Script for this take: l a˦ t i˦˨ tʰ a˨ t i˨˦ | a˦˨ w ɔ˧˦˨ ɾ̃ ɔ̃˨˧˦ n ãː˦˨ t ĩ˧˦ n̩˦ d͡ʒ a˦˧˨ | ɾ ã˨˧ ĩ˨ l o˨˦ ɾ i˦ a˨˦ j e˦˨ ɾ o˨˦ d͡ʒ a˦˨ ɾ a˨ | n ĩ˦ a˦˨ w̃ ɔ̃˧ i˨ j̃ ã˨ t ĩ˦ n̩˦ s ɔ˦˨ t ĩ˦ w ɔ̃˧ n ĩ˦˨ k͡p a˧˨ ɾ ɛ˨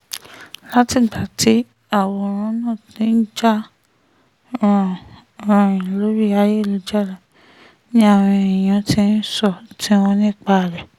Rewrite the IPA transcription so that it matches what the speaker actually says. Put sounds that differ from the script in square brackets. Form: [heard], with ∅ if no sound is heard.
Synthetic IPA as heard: l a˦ t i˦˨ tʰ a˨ t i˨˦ | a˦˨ w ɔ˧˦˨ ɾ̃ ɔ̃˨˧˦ n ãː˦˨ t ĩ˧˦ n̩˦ d͡ʒ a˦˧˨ | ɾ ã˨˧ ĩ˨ l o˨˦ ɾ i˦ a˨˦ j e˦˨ [l] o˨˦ d͡ʒ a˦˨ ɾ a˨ | n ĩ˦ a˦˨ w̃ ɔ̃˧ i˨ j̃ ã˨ t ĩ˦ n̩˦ s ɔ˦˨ t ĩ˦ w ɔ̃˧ n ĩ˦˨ k͡p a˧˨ ɾ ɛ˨